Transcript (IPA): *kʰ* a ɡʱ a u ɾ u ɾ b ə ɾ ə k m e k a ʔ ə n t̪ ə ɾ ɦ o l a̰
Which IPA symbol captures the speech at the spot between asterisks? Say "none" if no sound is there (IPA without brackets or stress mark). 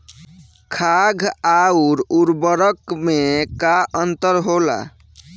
kʰ